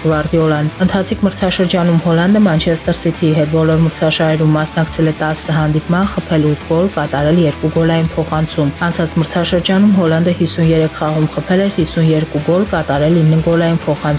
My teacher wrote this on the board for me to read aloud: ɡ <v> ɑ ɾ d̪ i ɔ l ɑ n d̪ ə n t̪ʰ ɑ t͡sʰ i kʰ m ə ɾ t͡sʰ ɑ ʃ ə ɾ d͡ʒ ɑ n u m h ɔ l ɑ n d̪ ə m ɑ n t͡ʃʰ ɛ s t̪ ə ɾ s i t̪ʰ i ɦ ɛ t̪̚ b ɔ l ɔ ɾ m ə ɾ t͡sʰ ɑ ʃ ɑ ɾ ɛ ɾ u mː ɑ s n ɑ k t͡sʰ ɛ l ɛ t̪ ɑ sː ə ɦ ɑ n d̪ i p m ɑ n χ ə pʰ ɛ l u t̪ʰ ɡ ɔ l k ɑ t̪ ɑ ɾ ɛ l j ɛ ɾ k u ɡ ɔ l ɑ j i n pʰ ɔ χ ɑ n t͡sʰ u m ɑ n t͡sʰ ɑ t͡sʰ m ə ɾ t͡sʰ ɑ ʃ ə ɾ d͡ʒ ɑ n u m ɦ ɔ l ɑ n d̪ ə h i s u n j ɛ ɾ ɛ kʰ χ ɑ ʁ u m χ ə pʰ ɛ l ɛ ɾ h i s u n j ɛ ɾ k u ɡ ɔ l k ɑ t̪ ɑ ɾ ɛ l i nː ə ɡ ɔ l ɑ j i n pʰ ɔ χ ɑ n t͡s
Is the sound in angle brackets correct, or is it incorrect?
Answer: correct